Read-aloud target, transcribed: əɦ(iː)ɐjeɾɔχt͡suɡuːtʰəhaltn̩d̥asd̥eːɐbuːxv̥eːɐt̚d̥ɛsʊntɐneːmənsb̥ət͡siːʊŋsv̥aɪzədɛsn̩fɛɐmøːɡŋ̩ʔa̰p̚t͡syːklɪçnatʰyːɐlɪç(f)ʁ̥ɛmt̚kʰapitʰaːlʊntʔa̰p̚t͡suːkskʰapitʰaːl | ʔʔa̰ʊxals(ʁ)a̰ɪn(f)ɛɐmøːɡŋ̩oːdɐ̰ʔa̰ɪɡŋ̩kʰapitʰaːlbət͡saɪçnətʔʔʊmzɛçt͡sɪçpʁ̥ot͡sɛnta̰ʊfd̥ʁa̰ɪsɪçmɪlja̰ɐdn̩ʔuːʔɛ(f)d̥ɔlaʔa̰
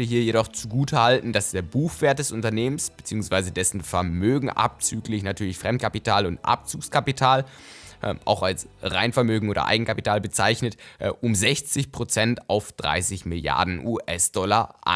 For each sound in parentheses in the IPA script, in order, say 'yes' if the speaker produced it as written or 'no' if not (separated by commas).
yes, yes, yes, yes, no